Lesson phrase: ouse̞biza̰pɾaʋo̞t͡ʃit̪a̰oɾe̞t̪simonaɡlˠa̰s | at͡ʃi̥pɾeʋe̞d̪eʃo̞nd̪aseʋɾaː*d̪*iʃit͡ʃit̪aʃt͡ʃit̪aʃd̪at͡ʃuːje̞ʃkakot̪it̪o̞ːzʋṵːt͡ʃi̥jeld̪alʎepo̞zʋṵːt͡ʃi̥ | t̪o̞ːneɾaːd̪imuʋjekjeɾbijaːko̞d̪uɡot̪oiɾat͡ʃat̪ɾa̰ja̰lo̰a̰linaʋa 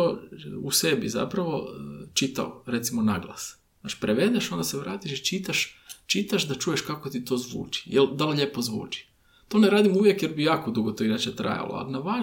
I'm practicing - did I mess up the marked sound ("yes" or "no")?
yes